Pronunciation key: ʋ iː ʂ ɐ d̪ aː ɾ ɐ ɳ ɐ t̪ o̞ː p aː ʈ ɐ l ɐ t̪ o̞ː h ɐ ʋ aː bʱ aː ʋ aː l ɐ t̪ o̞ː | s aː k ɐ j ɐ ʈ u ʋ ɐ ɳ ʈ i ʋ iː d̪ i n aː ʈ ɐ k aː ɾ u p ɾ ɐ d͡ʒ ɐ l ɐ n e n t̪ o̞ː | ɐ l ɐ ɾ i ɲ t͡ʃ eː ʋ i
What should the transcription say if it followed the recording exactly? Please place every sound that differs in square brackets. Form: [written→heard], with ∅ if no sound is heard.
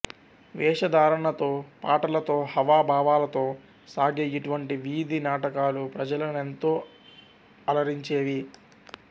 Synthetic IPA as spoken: ʋ [iː→ɛː] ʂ ɐ d̪ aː ɾ ɐ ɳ ɐ t̪ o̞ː p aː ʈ ɐ l ɐ t̪ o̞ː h ɐ ʋ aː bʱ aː ʋ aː l ɐ t̪ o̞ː | s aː [k→ɡ] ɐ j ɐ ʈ u ʋ ɐ ɳ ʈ i ʋ iː d̪ i n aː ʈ ɐ k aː [ɾ→l] u p ɾ ɐ d͡ʒ ɐ l ɐ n e n t̪ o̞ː | ɐ l ɐ ɾ i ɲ t͡ʃ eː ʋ i